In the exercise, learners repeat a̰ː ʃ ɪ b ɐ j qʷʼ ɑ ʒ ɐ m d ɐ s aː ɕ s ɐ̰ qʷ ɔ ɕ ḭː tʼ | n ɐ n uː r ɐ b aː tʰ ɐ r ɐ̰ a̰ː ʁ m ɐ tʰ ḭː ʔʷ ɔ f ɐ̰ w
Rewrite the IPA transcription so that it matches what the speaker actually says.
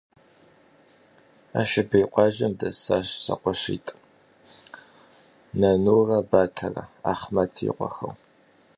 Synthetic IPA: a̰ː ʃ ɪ b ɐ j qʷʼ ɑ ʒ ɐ m d ɐ s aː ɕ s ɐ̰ qʷ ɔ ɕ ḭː tʼ | n ɐ n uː r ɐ b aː tʰ ɐ r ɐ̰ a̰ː χ m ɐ tʰ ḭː qʷ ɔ x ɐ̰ w